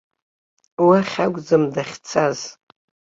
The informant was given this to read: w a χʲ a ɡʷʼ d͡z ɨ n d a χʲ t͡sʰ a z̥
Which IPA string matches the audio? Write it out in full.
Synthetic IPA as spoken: w a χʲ a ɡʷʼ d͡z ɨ m d a χʲ t͡sʰ a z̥